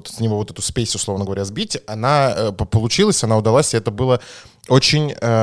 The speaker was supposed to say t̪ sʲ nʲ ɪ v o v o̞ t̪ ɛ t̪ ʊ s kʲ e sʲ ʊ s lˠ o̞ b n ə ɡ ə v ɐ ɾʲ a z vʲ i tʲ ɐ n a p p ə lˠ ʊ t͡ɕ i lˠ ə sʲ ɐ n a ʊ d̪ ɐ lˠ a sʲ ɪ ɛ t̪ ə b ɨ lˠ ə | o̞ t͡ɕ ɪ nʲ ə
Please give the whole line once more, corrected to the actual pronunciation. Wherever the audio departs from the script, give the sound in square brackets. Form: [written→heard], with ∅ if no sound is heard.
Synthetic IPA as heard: t̪ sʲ nʲ ɪ v o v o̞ t̪ ɛ t̪ ʊ s [kʲ→pʲ] e sʲ ʊ s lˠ o̞ [b→v] n ə ɡ ə v ɐ ɾʲ a z [vʲ→bʲ] i tʲ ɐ n a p p ə lˠ ʊ t͡ɕ i lˠ ə sʲ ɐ n a ʊ d̪ ɐ lˠ a sʲ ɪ ɛ t̪ ə b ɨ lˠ ə | o̞ t͡ɕ ɪ nʲ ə